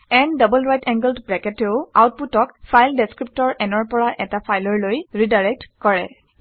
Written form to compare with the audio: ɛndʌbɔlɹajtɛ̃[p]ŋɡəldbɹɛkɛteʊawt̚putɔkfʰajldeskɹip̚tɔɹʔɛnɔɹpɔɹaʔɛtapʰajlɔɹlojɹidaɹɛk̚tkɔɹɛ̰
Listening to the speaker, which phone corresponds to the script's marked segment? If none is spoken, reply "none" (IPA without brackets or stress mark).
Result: none